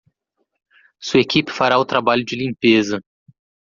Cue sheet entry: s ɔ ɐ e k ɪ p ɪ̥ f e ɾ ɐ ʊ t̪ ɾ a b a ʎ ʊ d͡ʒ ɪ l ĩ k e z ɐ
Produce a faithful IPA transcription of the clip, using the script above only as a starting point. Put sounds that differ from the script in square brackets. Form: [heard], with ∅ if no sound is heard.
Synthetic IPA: s [u] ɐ e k [i] p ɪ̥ f [a] ɾ [a] ʊ t̪ ɾ a b a ʎ ʊ d͡ʒ ɪ l ĩ [p] e z ɐ